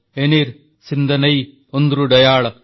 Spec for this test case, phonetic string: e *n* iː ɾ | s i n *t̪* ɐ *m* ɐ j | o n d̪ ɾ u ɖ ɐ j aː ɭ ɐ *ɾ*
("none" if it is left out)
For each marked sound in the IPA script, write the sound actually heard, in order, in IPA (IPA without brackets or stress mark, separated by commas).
n, d̪, n, none